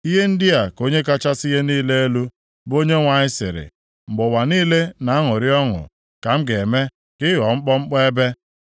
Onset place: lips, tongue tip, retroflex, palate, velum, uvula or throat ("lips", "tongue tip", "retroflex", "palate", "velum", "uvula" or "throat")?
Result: throat